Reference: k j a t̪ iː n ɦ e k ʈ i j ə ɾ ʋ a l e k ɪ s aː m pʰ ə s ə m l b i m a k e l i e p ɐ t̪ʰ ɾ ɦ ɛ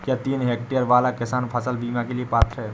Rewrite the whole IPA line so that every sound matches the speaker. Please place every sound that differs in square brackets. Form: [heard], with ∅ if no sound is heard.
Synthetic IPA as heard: k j a t̪ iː n ɦ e k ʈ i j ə ɾ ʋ a l [a] k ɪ s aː [n] pʰ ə s ə [∅] l b i m a k e l i e p [a] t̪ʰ ɾ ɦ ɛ